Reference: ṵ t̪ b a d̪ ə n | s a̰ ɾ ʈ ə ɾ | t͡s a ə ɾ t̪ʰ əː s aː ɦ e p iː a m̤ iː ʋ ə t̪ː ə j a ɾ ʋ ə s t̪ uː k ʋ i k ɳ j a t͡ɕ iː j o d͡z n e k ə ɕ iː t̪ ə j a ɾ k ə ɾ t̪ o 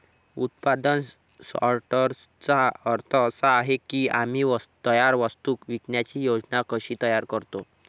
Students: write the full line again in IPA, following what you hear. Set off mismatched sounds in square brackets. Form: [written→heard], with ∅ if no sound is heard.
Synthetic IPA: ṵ t̪ [b→p] a d̪ ə n | s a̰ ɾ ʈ ə ɾ | t͡s a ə ɾ t̪ʰ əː s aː ɦ e [p→k] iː a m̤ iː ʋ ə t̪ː ə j a ɾ ʋ ə s t̪ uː k ʋ i k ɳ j a t͡ɕ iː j o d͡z n [e→a] k ə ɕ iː t̪ ə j a ɾ k ə ɾ t̪ o